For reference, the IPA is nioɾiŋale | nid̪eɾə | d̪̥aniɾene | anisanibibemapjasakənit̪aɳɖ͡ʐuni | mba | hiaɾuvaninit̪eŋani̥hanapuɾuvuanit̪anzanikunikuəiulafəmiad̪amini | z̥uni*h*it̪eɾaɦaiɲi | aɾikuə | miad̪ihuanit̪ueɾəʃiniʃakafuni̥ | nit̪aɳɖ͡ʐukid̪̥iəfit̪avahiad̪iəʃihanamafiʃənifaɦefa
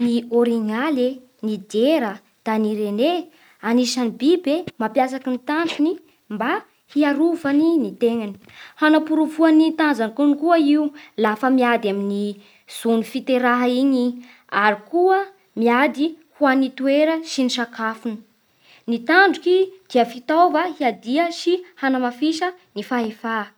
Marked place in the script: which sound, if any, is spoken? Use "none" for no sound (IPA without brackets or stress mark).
f